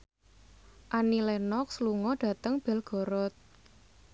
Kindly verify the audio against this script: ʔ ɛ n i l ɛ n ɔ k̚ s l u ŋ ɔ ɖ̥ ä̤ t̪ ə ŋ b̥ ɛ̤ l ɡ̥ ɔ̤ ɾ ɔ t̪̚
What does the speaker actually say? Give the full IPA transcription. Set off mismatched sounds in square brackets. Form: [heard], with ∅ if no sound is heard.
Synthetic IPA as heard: ʔ [a] n i l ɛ n ɔ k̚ s l u ŋ ɔ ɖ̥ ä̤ t̪ ə ŋ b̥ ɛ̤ l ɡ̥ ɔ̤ ɾ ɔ t̪̚